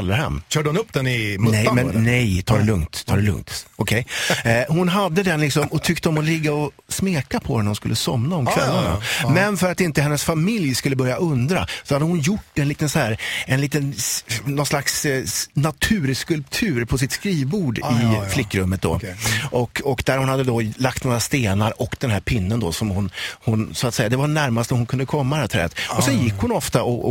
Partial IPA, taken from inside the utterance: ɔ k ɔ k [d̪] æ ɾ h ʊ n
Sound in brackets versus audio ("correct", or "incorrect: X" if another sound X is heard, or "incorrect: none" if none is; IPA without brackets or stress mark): correct